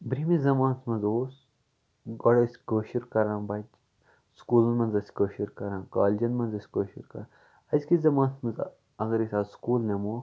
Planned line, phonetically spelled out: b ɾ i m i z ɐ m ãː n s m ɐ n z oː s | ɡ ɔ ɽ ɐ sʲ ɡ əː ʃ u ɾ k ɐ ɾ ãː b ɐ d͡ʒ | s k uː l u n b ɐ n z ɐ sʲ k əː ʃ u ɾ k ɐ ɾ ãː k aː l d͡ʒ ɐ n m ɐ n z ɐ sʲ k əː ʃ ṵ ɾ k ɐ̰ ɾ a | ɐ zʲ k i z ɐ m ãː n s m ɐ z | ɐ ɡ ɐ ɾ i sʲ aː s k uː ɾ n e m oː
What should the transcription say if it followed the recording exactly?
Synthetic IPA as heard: b ɾ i m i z ɐ m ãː n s m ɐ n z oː s | ɡ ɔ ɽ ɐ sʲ k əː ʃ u ɾ k ɐ ɾ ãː b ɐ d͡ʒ | s k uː l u n m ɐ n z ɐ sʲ k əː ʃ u ɾ k ɐ ɾ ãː k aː l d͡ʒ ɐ n m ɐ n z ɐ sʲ k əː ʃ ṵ ɾ k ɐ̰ ɾ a | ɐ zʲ k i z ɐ m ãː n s m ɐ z | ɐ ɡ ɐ ɾ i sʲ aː s k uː l n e m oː